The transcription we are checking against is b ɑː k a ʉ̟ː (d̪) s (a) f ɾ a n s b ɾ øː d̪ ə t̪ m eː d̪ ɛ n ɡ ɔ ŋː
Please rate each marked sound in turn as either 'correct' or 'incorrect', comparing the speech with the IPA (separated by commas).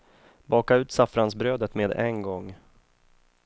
incorrect, correct